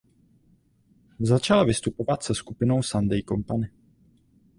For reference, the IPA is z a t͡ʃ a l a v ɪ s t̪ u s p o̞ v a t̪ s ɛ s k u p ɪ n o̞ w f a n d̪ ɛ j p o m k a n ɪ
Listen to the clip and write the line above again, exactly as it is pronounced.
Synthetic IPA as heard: z a t͡ʃ a l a v ɪ s t̪ u p o̞ v a t̪ s ɛ s k u p ɪ n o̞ w s a n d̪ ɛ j k o m p a n ɪ